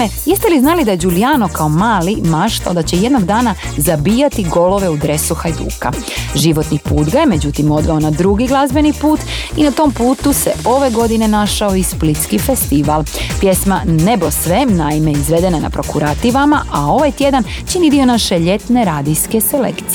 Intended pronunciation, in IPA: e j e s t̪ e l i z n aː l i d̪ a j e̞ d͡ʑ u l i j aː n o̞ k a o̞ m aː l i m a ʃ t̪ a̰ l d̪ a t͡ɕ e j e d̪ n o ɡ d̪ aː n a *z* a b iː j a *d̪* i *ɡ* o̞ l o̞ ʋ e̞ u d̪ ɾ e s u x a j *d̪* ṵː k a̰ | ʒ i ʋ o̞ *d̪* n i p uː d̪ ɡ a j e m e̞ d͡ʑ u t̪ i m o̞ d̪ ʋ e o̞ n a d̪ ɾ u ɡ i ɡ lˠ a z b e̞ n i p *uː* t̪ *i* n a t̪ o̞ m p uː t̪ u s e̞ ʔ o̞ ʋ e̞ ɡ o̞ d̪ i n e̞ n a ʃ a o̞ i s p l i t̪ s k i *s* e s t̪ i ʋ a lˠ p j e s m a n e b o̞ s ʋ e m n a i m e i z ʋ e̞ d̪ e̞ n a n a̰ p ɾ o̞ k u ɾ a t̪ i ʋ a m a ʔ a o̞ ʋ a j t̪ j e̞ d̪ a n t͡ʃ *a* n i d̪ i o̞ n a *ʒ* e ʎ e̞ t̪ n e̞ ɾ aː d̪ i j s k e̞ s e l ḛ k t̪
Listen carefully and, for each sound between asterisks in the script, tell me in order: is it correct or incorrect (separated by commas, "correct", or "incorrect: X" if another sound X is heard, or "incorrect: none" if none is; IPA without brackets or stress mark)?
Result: correct, incorrect: t̪, correct, correct, incorrect: t̪, correct, correct, incorrect: f, incorrect: i, incorrect: ʃ